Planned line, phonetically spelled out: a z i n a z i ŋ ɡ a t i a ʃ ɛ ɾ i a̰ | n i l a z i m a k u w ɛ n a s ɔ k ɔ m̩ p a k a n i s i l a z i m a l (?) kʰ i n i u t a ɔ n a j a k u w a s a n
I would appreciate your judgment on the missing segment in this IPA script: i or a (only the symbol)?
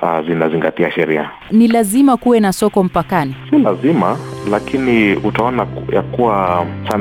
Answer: a